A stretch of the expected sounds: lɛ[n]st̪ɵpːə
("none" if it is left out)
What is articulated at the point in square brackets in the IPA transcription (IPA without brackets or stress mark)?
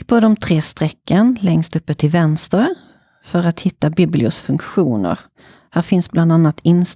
ŋ